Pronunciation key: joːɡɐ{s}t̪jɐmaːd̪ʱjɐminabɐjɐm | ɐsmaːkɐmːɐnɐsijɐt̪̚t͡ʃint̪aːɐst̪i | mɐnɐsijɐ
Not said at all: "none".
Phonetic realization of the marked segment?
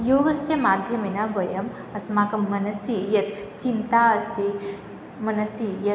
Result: s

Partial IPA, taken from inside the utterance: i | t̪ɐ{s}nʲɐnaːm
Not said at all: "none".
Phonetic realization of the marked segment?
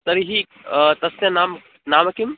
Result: s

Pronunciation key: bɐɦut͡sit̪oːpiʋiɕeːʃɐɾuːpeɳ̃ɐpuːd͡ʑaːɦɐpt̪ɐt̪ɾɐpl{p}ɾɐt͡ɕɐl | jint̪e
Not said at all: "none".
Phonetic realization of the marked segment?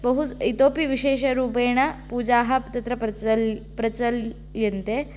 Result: p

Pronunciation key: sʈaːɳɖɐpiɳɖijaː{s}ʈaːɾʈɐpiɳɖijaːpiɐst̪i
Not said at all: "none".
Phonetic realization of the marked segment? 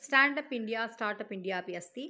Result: s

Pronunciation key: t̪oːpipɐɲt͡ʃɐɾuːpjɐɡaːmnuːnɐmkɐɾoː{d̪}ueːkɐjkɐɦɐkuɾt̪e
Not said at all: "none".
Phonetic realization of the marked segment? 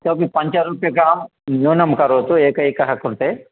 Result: t̪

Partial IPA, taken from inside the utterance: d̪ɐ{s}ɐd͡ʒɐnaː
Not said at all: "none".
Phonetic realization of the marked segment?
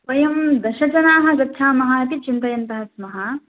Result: ʃ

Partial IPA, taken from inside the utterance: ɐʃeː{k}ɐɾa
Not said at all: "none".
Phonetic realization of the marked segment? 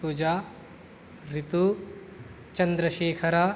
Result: kʰ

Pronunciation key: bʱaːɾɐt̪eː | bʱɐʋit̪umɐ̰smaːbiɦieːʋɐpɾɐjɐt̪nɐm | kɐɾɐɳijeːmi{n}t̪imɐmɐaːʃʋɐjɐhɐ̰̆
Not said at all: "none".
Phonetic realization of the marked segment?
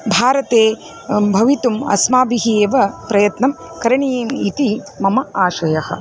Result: none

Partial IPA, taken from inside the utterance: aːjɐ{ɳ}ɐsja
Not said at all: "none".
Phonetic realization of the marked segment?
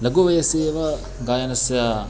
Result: n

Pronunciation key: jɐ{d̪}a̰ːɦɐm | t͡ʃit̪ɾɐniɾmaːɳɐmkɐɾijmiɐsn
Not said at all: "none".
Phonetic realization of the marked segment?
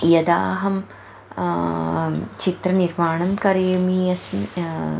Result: d̪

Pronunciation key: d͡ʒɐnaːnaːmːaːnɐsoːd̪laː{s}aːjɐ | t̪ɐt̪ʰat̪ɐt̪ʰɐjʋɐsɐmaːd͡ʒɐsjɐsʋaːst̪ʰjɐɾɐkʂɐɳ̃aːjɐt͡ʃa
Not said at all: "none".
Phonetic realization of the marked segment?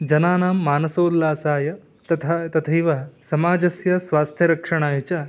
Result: s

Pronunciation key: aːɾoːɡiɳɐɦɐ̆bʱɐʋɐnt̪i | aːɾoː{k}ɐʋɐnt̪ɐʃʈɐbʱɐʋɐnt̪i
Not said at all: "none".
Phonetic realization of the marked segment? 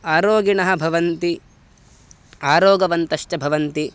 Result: ɡ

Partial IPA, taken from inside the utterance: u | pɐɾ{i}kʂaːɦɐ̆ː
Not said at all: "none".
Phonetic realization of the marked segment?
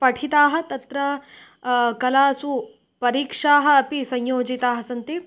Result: iː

